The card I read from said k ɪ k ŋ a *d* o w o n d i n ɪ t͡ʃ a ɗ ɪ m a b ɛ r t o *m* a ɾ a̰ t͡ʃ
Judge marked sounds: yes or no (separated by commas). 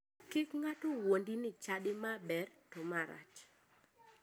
no, yes